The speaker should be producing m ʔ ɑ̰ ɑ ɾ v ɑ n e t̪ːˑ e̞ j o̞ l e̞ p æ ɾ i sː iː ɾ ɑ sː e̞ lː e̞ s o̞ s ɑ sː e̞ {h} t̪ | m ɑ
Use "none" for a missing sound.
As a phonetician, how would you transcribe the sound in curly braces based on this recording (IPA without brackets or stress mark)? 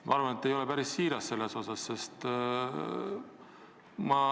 s